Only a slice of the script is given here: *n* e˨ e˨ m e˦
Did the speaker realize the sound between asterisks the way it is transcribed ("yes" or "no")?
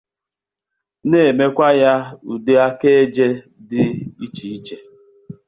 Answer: yes